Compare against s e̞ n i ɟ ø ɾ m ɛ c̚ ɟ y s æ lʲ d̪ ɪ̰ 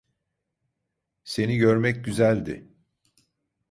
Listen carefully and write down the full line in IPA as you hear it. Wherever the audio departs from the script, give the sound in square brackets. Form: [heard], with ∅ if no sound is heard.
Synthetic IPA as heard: s e̞ n i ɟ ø ɾ m ɛ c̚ ɟ y [z] æ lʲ d̪ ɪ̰